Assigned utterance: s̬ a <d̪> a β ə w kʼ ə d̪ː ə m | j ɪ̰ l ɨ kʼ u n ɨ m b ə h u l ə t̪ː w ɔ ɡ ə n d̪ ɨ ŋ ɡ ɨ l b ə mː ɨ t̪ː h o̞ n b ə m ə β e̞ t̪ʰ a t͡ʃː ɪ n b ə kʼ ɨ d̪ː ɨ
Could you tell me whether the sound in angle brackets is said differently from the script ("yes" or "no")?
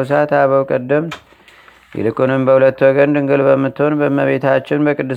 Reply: yes